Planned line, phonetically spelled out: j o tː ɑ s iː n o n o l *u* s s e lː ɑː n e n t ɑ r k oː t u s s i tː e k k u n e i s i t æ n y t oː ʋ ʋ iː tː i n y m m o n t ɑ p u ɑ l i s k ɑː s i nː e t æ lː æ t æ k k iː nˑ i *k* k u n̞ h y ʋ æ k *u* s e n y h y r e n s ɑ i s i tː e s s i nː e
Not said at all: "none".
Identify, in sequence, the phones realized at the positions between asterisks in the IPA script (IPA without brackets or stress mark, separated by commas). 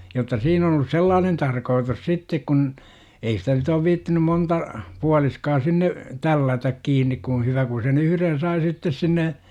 u, k, u